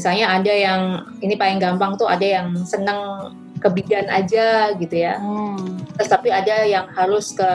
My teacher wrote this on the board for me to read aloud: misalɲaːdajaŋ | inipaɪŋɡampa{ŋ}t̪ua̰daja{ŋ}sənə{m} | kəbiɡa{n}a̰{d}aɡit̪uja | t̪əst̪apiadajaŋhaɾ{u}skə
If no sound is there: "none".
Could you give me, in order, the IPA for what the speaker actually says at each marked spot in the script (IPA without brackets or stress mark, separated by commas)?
ŋ, ŋ, ŋ, n, d͡ʒ, ʊ